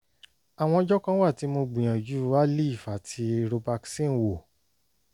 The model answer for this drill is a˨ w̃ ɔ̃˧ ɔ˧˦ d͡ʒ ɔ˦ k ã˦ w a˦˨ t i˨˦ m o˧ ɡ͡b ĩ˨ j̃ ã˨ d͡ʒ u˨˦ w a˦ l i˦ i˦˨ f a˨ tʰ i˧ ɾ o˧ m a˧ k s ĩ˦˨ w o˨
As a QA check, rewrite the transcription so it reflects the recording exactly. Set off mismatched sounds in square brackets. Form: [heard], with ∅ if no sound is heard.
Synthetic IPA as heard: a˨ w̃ ɔ̃˧ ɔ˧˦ d͡ʒ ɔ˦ k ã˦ w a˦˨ t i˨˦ m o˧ ɡ͡b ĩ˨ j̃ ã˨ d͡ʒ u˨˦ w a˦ l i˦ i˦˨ f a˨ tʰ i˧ ɾ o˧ [b] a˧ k s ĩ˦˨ w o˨